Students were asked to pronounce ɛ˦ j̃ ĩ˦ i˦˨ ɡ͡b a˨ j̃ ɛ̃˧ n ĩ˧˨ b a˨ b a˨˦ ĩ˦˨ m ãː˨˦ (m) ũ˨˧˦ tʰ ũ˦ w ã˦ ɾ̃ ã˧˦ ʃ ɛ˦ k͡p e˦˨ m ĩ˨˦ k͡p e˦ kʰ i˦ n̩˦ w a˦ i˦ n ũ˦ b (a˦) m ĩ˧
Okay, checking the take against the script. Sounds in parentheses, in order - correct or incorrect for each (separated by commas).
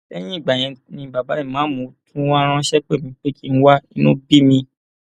correct, incorrect